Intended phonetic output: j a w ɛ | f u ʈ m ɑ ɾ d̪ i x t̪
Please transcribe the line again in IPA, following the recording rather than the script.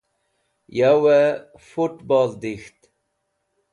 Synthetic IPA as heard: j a w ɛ | f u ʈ b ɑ l d̪ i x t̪